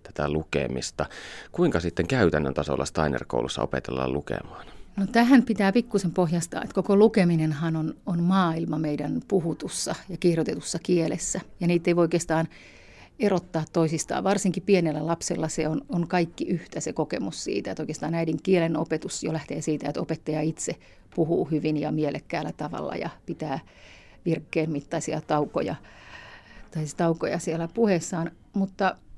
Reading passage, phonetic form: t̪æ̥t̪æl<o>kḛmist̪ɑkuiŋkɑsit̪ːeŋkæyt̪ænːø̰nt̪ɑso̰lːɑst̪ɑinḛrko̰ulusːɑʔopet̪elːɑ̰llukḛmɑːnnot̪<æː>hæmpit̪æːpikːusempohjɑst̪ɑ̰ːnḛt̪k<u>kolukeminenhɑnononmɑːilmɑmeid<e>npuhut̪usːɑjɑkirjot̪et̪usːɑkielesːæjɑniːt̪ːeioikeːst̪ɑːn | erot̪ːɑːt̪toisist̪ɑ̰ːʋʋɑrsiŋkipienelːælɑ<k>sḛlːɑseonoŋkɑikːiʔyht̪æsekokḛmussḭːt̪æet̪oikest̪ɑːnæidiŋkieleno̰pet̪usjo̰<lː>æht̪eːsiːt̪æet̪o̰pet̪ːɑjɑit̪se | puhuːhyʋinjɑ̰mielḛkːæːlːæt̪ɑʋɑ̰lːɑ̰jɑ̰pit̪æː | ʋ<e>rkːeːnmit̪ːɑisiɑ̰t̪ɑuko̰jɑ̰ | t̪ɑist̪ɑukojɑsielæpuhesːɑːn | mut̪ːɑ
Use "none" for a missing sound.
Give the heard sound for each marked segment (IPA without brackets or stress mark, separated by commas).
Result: u, æ, o, æ, p, l, i